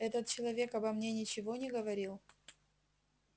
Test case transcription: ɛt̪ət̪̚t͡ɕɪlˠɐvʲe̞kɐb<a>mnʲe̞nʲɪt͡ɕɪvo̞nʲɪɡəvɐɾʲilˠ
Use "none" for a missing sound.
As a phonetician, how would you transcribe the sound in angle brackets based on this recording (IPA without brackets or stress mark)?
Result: ɐ